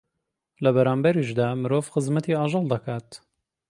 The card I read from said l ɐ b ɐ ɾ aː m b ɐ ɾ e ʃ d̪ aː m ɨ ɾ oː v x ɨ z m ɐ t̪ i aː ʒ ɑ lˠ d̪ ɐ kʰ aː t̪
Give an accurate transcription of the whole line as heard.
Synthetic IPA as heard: l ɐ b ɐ ɾ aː m b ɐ ɾ i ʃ d̪ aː m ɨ ɾ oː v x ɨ z m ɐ t̪ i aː ʒ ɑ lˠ d̪ ɐ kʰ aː t̪